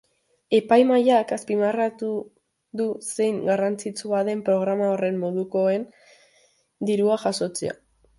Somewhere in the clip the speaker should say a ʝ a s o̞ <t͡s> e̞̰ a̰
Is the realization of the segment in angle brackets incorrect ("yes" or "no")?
no